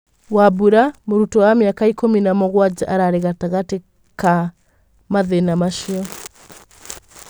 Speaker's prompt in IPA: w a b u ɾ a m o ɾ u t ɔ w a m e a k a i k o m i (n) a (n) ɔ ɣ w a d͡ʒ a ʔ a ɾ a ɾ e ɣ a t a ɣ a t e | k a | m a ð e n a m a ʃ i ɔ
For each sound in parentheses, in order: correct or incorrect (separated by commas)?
correct, incorrect